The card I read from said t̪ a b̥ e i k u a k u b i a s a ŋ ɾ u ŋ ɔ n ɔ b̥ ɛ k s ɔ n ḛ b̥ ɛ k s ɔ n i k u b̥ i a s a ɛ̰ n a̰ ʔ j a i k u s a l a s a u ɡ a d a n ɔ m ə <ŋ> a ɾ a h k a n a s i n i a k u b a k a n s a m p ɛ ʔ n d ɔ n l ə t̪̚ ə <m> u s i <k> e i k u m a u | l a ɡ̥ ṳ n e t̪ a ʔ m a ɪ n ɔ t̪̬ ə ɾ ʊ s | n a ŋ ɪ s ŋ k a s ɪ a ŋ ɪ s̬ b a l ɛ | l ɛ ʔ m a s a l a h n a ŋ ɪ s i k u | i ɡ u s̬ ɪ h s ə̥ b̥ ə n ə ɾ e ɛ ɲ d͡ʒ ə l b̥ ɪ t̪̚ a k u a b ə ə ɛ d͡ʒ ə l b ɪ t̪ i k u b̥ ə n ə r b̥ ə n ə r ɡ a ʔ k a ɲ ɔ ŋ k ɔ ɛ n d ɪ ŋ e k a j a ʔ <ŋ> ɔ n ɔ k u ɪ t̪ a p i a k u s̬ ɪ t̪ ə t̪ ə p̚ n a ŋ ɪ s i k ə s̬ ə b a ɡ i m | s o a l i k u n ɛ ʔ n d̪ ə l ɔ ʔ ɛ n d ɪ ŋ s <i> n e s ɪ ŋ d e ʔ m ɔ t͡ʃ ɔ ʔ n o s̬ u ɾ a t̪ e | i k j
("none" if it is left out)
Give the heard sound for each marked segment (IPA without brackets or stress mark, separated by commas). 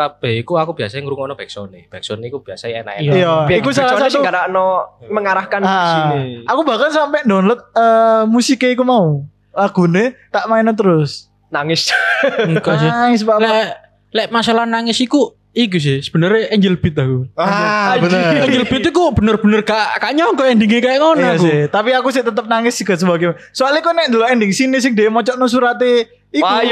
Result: ŋ, m, k, ŋ, i